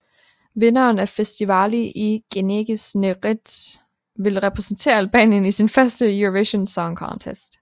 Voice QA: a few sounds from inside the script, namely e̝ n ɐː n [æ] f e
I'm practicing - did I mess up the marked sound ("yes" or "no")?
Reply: no